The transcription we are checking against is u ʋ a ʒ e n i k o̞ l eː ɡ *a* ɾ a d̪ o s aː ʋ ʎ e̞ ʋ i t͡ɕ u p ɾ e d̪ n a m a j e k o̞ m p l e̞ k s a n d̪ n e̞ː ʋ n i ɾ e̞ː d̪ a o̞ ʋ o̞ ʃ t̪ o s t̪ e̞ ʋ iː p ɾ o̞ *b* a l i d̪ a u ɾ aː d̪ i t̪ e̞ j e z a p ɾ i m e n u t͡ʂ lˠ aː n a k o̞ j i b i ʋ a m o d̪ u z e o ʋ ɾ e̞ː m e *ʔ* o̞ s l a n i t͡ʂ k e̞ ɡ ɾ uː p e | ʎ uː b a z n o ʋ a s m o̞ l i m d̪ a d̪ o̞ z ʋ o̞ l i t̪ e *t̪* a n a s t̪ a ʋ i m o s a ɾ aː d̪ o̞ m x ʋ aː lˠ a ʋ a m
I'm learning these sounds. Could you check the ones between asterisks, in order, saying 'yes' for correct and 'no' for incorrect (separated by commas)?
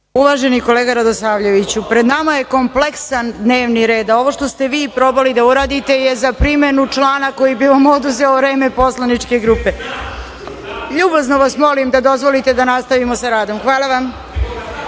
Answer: yes, yes, no, no